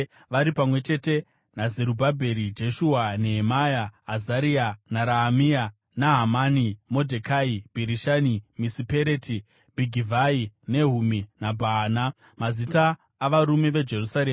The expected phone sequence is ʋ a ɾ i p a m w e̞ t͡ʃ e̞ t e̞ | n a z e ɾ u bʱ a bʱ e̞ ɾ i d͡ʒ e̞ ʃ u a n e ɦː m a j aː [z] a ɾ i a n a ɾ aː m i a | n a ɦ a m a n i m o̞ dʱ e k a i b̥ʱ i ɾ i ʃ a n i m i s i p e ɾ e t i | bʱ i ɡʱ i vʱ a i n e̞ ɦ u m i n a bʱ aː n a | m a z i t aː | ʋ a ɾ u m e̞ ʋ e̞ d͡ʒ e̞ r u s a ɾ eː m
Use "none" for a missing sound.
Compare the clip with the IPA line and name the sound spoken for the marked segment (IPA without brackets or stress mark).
z